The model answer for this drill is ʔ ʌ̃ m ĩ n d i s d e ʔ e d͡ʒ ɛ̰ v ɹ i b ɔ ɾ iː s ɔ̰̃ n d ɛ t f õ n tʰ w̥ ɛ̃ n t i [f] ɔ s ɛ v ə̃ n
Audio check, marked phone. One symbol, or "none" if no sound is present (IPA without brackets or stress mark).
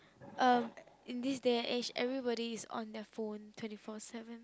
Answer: f